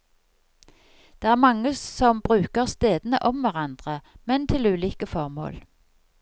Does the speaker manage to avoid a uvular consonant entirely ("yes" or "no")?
no